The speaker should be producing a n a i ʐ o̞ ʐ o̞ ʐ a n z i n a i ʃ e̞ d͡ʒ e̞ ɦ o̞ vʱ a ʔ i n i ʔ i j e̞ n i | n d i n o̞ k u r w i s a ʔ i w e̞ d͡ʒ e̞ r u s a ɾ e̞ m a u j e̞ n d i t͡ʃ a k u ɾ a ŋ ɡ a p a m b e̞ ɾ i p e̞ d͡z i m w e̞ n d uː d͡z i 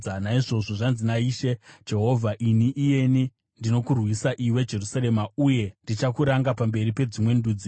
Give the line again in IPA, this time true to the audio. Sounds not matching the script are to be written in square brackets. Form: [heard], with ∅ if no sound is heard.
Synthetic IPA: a n a i ʐ o̞ ʐ o̞ ʐ a n z i n a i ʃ e̞ d͡ʒ e̞ ɦ o̞ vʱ a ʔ i n i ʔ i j e̞ n i | n d i n o̞ k u r w i s a ʔ i w e̞ d͡ʒ e̞ r u s a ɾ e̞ m a u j e̞ n d i t͡ʃ a k u ɾ a ŋ ɡ a p a m b e̞ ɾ i p e̞ d͡z i m w e̞ n d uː d͡z i